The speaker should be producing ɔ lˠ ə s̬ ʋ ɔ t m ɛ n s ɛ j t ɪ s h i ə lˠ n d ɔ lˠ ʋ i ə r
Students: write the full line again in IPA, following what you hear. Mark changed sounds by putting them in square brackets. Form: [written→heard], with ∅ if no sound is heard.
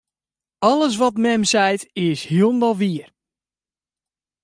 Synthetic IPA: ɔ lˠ ə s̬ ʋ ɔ t m ɛ [n→m] s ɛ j t ɪ s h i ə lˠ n d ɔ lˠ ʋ i ə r